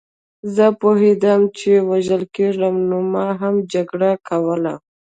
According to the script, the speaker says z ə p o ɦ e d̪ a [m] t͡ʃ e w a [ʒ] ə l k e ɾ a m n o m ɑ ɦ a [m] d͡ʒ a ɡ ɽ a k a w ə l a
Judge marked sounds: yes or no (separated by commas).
yes, yes, yes